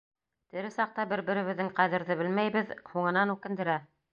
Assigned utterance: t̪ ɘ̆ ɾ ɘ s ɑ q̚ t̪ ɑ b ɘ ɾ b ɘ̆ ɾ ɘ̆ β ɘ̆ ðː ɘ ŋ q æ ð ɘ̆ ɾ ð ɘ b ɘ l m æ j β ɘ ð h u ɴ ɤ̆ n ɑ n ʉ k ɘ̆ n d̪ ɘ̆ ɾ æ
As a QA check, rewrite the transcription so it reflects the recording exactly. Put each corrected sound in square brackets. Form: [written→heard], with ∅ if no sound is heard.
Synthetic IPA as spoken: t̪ ɘ̆ ɾ ɘ s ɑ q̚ t̪ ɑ b ɘ ɾ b ɘ̆ ɾ ɘ̆ β ɘ̆ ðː ɘ ŋ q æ ð ɘ̆ ɾ ð ɘ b ɘ l m æ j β ɘ ð h u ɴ ɤ̆ n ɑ n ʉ k ɘ̆ n d̪ ɘ̆ ɾ æ